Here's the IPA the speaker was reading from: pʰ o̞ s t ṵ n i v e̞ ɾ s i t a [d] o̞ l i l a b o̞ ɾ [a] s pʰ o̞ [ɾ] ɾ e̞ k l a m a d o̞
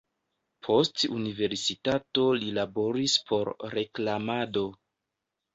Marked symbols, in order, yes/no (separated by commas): no, no, yes